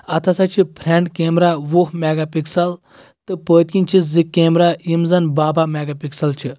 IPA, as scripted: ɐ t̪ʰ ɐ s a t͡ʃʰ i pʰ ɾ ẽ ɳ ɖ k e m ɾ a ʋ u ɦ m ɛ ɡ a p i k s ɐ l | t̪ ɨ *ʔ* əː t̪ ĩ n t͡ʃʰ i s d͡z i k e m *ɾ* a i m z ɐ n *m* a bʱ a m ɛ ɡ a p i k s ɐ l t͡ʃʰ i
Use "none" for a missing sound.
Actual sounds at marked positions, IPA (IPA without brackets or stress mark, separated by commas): p, ɾ, b